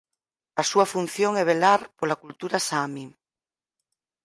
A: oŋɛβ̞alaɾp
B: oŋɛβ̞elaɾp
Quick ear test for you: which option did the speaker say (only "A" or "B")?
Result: B